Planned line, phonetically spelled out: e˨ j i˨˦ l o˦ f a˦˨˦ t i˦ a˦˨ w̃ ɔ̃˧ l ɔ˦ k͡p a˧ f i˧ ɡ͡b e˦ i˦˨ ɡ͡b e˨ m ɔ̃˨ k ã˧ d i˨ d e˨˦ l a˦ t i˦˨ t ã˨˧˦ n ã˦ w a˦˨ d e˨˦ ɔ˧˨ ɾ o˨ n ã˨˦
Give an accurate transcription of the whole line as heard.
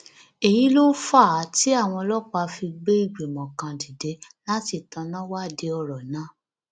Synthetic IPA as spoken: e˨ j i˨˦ l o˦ f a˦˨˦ t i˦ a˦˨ w̃ ɔ̃˧ l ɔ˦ k͡p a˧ f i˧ ɡ͡b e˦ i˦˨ ɡ͡b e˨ m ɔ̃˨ k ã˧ d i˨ d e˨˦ l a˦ t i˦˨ t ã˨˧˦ n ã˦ w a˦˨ d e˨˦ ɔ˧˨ ɾ ɔ˨ n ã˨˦